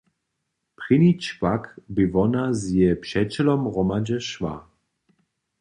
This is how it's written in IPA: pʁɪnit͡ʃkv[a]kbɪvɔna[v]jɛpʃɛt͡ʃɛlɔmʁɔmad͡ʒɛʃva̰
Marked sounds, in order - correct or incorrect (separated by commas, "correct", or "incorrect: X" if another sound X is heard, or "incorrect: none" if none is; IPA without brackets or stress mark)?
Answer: correct, incorrect: z